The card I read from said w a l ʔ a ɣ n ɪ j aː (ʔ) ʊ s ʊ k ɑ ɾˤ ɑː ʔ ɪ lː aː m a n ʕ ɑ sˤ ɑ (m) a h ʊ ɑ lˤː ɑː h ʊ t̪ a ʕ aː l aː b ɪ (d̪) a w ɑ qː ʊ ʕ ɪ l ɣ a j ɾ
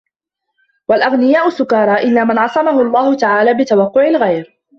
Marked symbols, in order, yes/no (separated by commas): yes, yes, no